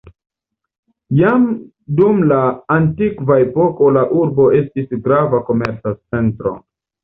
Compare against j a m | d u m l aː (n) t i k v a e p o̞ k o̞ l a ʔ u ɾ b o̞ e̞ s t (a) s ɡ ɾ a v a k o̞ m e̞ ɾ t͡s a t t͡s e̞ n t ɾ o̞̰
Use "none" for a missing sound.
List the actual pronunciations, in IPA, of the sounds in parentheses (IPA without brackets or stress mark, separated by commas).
n, i